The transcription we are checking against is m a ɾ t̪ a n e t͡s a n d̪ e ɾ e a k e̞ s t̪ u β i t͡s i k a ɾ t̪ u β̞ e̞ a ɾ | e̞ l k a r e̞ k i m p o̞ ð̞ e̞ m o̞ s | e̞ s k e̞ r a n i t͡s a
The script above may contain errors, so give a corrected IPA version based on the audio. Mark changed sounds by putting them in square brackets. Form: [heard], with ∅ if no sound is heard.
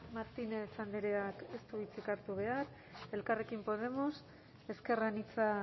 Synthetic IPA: m a ɾ t̪ [i] n e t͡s a n d̪ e ɾ e a k e̞ s t̪ u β i t͡s i k a ɾ t̪ u β̞ e̞ a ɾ | e̞ l k a r e̞ k i m p o̞ ð̞ e̞ m o̞ s | e̞ s k e̞ r a n i t͡s a